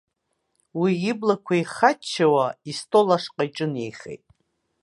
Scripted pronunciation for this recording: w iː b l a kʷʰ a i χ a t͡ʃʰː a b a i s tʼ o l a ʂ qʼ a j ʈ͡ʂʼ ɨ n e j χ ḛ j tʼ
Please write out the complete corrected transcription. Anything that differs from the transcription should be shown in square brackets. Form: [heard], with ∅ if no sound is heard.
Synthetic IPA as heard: w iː b l a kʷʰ a i χ a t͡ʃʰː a [w] a i s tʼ o l a ʂ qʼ a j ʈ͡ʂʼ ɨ n e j χ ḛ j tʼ